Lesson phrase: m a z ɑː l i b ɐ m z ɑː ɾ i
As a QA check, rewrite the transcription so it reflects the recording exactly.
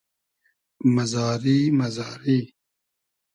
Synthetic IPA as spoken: m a z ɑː ɾ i m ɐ z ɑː ɾ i